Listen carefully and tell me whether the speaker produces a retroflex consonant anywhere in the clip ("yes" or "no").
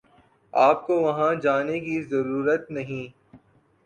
no